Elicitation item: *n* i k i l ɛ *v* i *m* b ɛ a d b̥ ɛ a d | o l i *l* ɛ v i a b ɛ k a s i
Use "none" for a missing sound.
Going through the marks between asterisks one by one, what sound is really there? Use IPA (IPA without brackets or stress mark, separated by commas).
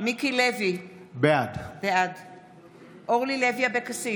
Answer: m, v, none, l